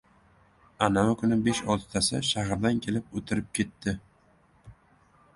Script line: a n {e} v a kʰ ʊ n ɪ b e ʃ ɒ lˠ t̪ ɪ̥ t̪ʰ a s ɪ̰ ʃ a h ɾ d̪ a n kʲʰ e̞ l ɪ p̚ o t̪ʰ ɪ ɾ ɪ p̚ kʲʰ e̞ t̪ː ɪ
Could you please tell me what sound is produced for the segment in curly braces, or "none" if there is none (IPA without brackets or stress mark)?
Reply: a